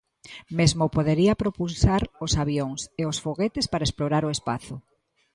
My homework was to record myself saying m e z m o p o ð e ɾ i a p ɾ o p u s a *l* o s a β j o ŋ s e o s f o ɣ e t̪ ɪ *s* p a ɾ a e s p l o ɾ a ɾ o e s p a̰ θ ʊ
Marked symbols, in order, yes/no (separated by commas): no, yes